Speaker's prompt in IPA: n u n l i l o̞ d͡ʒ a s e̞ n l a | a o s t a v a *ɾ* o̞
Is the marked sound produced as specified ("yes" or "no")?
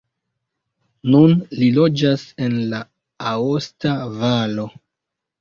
no